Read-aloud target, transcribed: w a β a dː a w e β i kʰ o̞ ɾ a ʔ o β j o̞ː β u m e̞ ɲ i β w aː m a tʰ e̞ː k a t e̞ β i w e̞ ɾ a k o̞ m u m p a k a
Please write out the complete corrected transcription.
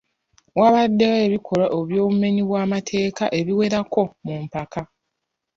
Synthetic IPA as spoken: w a β a dː e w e β i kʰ o̞ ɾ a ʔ o β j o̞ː β u m e̞ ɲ i β w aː m a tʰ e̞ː k a ʔ e̞ β i w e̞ ɾ a k o̞ m u m p a k a